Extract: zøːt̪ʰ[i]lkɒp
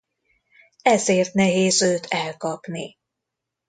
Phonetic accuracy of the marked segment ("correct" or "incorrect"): incorrect